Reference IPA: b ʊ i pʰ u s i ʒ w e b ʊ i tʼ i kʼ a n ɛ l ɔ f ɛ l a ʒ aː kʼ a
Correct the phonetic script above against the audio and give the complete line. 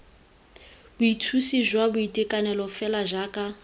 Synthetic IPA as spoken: b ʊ i tʰ u s i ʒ w a b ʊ i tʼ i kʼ a n ɛ l ɔ f ɛ l a ʒ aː kʼ a